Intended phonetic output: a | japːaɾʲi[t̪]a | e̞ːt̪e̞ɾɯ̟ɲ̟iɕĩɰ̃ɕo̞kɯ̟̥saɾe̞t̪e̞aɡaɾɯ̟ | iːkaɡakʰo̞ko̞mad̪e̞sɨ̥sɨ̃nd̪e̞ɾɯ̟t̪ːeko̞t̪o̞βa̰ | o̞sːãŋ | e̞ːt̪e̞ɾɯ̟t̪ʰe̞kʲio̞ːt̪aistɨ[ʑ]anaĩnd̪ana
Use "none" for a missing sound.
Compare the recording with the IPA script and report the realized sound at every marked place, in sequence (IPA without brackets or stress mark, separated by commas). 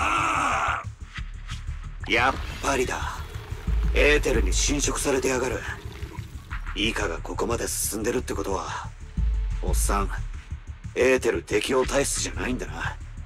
d̪, ʑ